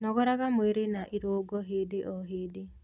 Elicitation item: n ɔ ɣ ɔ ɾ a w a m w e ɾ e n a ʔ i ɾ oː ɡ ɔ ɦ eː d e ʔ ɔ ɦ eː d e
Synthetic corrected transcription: n ɔ ɣ ɔ ɾ a ɣ a m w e ɾ e n a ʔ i ɾ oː ɡ ɔ ɦ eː d e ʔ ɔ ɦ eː d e